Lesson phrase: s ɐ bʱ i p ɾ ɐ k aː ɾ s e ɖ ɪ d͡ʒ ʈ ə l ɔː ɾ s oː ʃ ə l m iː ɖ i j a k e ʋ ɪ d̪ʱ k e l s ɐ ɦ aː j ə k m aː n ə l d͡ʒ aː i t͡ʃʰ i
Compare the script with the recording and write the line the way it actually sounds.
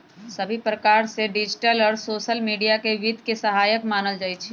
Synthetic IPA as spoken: s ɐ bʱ i p ɾ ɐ k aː ɾ s e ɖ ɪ d͡ʒ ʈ ə l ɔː ɾ s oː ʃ ə l m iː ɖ i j a k e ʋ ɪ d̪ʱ k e s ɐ ɦ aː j ə k m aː n ə l d͡ʒ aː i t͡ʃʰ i